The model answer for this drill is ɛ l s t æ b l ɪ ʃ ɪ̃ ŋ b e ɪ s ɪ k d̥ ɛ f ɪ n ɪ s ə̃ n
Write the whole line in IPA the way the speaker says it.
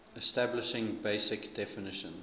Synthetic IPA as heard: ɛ s t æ b l ɪ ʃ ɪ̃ ŋ b e ɪ s ɪ k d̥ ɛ f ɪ n ɪ ʃ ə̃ n